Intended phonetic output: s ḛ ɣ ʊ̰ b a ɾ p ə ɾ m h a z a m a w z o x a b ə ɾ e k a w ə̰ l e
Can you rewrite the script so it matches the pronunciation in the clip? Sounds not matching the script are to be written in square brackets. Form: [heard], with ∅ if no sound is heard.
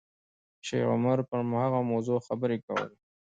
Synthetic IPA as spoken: [ʃ] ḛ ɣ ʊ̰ [m] a ɾ p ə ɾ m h a [ɣ] a m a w z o x a b ə ɾ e k a w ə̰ l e